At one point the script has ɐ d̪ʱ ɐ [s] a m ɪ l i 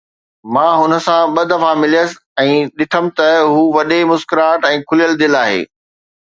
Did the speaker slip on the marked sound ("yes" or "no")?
yes